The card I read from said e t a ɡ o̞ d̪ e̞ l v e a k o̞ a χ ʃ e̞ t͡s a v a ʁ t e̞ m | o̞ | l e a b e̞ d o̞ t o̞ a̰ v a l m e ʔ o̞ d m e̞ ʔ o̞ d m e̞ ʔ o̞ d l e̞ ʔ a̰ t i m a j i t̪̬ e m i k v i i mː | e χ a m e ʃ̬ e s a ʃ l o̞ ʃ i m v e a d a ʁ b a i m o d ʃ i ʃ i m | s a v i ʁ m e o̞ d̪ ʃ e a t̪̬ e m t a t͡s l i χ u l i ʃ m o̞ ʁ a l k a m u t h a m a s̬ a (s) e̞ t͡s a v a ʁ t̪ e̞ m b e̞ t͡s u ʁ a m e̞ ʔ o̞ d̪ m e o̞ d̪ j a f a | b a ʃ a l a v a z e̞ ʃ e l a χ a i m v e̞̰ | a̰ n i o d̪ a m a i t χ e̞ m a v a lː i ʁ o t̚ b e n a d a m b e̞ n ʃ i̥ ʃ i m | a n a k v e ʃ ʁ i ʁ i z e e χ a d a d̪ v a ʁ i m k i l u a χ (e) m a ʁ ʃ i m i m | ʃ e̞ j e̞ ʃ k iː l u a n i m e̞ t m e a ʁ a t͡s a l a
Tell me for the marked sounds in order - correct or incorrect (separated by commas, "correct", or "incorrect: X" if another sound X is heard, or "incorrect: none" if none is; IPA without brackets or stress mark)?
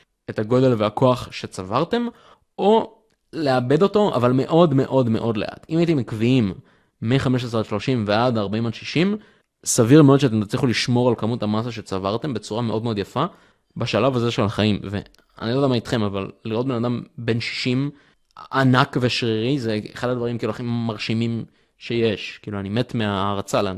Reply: incorrect: ʃ, incorrect: i